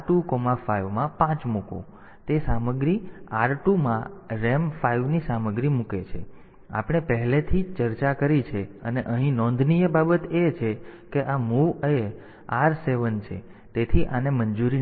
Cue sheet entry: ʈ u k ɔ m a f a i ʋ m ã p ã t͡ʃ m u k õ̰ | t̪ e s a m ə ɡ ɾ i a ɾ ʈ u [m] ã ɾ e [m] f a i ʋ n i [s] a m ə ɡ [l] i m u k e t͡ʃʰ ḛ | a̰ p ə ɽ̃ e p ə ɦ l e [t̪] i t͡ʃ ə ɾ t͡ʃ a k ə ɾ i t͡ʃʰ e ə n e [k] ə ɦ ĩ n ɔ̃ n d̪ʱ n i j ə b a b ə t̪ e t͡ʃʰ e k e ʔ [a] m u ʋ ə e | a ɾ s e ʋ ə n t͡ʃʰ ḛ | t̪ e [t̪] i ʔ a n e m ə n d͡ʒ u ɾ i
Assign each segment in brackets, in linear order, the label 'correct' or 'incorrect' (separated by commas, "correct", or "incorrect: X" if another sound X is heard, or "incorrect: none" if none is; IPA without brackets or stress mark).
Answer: correct, correct, correct, incorrect: ɾ, incorrect: t̪ʰ, incorrect: ʔ, correct, incorrect: t̪ʰ